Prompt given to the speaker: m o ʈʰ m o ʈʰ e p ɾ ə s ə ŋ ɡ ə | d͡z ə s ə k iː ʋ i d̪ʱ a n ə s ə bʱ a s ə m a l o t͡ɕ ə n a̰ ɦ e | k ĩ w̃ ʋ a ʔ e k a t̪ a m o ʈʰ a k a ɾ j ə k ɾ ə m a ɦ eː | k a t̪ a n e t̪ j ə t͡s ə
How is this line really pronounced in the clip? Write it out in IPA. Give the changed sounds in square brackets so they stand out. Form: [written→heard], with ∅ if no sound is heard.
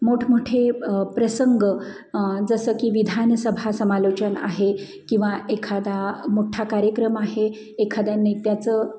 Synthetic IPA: m o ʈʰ m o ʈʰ e p ɾ ə s ə ŋ ɡ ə | d͡z ə s ə k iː ʋ i d̪ʱ a n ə s ə bʱ a s ə m a l o t͡ɕ ə n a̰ ɦ e | k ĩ w̃ ʋ a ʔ e [k→kʰ] a [t̪→d̪] a m o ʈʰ a k a ɾ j ə k ɾ ə m a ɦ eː | [k→kʰ] a [t̪→d̪] a n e t̪ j [ə→a] t͡s ə